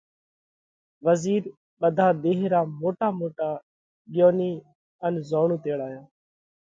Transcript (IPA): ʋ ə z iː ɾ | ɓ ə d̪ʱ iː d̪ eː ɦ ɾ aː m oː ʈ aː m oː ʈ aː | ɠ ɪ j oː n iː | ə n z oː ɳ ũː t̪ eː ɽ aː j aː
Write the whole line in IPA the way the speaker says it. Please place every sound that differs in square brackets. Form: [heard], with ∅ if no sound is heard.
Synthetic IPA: ʋ ə z iː ɾ | ɓ ə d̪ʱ [aː] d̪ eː ɦ ɾ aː m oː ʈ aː m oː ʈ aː | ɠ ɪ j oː n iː | ə n z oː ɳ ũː t̪ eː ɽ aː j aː

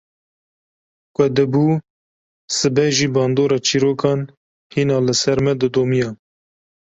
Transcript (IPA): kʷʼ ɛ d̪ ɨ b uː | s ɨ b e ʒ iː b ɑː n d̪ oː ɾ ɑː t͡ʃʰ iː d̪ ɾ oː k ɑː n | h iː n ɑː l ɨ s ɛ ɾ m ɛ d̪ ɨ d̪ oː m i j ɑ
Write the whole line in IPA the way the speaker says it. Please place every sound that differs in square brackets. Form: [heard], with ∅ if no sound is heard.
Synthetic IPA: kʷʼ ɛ d̪ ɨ b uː | s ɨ b [ɛ] ʒ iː b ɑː n d̪ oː ɾ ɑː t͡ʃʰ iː [∅] ɾ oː k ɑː n | h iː n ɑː l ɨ s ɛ ɾ m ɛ d̪ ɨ d̪ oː m i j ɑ

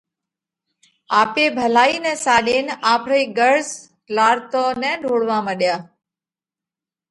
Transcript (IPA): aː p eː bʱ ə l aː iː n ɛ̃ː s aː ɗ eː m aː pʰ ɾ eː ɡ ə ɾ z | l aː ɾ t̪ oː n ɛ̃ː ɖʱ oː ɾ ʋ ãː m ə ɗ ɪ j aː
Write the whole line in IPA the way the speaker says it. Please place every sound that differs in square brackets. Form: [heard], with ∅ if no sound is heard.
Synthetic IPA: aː p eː bʱ ə l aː iː n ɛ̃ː s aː ɗ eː [n] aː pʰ ɾ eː ɡ ə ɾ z | l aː ɾ t̪ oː n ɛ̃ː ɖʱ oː [ɽ] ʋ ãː m ə ɗ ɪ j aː

